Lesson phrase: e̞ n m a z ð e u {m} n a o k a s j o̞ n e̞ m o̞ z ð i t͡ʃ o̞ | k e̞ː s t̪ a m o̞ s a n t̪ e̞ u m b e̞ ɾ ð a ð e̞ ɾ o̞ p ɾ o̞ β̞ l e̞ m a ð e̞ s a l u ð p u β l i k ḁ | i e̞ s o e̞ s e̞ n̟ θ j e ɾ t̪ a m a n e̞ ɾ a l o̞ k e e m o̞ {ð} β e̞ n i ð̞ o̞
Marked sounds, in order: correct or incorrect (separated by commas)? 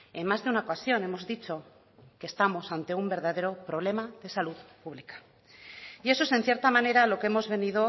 incorrect, incorrect